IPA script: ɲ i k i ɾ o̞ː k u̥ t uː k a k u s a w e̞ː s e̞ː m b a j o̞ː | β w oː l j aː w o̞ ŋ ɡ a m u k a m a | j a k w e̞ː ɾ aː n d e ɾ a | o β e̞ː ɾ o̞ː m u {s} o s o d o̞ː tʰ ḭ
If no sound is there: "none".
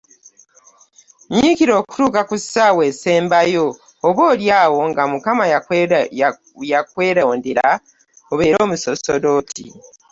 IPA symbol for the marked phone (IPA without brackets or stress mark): s